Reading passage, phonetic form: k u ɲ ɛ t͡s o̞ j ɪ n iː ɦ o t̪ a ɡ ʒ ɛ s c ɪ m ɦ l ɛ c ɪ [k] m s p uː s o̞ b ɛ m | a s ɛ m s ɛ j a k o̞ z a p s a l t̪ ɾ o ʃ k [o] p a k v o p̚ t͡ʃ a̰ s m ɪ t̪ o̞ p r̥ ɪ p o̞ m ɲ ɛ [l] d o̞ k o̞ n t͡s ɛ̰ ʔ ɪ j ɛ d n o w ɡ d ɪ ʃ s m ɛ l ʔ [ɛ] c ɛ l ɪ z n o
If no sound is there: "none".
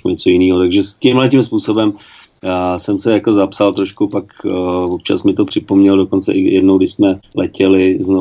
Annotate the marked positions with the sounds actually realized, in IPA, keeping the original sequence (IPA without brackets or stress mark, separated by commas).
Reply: none, u, l, ɛ